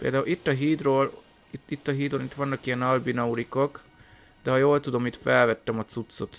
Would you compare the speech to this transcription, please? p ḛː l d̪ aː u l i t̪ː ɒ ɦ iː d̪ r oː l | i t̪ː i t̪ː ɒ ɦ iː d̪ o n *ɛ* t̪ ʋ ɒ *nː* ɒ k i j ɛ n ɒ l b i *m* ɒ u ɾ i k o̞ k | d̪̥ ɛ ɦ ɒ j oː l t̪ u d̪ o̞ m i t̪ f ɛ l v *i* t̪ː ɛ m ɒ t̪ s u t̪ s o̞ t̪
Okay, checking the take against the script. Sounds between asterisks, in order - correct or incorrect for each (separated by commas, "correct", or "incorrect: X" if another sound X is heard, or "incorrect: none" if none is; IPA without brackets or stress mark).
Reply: incorrect: i, correct, incorrect: n, incorrect: ɛ